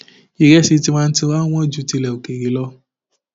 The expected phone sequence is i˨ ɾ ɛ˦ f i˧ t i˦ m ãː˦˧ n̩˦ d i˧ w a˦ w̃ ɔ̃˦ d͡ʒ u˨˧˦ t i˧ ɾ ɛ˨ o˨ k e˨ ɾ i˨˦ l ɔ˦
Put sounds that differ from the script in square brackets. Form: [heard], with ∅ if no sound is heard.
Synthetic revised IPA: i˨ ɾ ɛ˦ [s] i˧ t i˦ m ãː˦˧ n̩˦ [t] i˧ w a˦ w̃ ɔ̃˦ d͡ʒ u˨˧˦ t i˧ [l] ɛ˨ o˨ k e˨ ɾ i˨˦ l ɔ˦